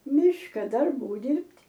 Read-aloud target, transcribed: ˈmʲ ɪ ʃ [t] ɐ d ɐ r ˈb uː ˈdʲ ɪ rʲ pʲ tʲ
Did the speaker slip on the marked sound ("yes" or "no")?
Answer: yes